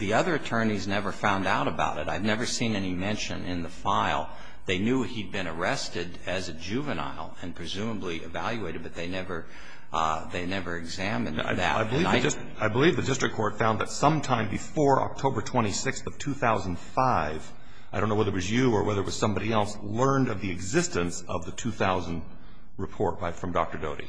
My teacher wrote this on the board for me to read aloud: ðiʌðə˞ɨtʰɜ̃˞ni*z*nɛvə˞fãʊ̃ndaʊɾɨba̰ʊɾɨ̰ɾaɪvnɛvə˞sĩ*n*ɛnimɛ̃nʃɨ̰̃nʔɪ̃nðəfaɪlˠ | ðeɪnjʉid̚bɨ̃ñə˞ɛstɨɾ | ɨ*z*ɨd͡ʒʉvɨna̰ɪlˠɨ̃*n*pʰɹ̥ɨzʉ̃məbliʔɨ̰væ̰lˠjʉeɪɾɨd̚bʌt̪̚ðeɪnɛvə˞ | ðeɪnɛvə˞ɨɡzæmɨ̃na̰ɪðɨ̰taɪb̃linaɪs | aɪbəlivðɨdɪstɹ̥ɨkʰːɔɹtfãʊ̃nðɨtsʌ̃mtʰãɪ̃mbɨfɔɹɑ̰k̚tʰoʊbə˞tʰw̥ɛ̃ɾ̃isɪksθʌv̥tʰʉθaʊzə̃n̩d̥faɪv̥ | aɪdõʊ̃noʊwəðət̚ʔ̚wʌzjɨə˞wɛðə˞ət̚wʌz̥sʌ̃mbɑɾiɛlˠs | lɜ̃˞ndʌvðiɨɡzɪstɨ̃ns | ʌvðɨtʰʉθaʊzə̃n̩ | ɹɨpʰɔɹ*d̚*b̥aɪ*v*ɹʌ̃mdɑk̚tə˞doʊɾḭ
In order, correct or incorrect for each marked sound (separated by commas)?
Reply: correct, correct, correct, correct, incorrect, incorrect